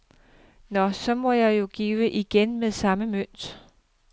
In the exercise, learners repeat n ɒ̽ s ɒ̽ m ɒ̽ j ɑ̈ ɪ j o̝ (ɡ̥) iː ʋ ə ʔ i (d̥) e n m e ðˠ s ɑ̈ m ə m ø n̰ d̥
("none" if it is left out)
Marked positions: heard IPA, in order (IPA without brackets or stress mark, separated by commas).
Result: ɡ̥, ɡ̥